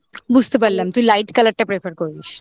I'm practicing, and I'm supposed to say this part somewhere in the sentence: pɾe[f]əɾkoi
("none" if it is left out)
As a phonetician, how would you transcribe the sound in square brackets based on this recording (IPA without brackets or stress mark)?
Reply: f